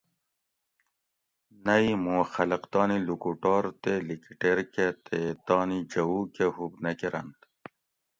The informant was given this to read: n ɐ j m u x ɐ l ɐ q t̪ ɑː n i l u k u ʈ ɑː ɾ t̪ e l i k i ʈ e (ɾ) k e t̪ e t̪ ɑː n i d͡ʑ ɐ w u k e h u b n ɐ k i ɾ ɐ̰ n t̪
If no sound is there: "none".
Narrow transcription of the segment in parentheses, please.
ɾ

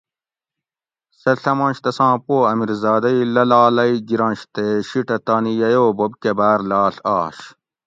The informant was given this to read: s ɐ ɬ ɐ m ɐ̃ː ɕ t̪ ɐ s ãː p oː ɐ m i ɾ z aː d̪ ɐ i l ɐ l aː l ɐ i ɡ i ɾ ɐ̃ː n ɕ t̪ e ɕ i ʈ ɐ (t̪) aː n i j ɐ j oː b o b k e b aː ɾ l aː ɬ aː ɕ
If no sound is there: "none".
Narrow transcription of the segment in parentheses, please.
t̪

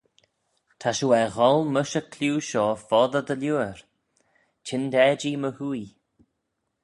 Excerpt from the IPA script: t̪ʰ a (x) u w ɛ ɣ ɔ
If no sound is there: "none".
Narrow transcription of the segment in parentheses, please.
ʃ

